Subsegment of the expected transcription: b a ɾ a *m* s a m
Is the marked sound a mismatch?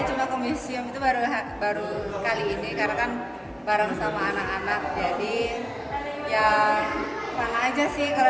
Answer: yes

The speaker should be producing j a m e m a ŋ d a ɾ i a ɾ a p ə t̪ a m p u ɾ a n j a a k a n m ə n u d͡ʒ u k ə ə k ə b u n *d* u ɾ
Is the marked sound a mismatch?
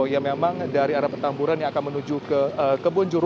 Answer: yes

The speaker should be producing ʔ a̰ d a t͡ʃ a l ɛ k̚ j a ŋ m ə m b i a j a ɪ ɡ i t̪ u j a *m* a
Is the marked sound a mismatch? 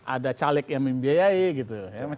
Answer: no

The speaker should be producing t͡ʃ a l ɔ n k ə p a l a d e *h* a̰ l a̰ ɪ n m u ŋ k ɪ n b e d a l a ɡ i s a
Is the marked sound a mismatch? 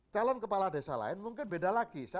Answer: yes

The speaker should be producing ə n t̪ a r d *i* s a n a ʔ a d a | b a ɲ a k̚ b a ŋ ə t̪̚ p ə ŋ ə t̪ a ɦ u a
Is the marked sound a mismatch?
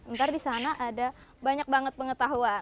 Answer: no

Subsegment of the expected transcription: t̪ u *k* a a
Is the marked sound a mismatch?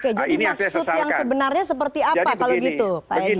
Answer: yes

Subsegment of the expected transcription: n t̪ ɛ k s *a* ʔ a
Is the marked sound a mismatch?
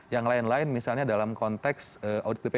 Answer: yes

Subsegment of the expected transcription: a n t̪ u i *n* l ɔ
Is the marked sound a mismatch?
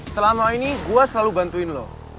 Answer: no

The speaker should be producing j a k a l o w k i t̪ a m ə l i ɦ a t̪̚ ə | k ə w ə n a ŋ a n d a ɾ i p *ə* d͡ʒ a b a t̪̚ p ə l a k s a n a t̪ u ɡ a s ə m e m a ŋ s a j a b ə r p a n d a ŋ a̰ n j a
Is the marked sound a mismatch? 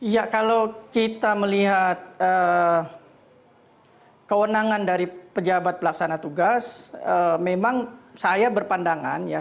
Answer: no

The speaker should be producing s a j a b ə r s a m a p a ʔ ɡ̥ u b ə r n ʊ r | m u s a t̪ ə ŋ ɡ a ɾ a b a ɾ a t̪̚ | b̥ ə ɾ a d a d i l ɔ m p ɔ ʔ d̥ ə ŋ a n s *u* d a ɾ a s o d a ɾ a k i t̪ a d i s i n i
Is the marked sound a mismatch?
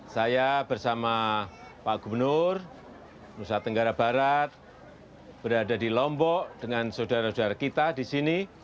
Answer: yes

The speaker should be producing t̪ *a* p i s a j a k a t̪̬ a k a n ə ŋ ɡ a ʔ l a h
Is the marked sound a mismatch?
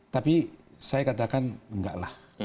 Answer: no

